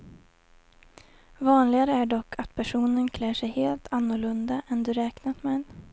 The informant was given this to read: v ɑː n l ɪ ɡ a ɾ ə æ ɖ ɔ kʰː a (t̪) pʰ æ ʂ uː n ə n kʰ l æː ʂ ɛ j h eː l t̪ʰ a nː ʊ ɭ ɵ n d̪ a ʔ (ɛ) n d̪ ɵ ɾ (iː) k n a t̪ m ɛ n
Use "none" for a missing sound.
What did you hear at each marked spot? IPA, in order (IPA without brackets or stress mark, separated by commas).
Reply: t̪, ɛ, ɛː